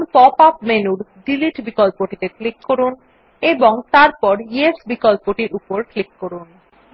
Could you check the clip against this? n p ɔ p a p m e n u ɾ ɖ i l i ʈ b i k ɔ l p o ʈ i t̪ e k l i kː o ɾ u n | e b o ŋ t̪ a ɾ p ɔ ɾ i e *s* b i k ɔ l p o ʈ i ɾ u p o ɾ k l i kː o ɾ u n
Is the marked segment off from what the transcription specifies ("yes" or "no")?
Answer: no